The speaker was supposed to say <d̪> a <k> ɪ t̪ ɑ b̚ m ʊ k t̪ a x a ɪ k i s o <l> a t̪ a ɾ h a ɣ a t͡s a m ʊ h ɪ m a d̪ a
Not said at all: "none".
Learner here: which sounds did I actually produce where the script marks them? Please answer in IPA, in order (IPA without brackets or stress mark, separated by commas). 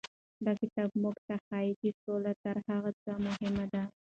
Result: d̪, k, l